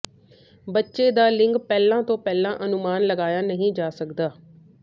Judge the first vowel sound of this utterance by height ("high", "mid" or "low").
mid